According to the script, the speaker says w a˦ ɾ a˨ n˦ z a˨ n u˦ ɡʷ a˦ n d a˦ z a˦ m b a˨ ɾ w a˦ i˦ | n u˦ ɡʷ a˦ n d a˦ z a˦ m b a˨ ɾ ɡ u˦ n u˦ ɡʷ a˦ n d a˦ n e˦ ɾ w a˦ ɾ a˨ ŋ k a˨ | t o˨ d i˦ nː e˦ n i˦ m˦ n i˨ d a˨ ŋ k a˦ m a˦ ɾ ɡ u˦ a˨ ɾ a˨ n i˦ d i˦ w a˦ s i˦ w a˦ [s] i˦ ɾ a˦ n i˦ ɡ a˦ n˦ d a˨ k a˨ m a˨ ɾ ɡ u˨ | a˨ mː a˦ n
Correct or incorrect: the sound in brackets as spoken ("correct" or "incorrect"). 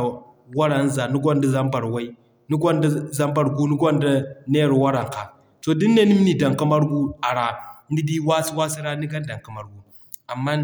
correct